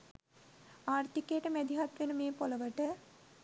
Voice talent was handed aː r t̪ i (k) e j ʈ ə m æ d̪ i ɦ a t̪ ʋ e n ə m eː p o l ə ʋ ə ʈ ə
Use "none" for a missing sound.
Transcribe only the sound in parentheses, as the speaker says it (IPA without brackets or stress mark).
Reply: k